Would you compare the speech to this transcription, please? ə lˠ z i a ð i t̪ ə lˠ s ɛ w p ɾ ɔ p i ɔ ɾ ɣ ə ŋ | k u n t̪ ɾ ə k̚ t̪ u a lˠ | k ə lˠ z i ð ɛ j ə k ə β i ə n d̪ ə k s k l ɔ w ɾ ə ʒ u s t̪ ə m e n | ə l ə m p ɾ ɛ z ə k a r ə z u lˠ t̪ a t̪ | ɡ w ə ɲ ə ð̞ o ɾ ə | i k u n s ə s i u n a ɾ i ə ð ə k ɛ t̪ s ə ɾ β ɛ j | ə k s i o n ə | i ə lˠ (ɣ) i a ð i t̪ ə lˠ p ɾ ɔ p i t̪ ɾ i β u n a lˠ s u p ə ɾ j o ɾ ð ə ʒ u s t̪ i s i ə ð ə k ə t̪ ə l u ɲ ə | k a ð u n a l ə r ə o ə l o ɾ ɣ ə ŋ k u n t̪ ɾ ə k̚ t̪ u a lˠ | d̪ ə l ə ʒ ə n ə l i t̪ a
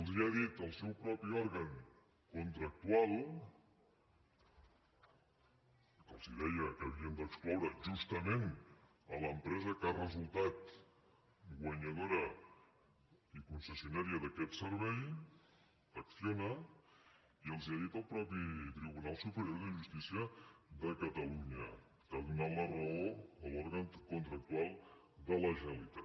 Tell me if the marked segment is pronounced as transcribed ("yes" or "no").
no